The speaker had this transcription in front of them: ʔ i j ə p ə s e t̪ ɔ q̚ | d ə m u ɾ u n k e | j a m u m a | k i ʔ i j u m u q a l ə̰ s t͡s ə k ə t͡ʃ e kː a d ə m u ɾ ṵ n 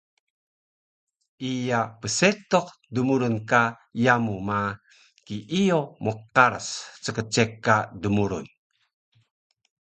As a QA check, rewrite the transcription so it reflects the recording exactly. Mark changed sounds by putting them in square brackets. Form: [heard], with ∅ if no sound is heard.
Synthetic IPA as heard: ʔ i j [a] p ə s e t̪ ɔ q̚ | d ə m u ɾ u n k [a] | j a m u m a | k i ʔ i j [o] m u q a [ɾ] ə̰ s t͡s ə k ə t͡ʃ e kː a d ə m u ɾ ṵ n